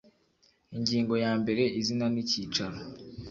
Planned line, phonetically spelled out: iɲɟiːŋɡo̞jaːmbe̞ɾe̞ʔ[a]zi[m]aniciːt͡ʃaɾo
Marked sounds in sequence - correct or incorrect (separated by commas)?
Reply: incorrect, incorrect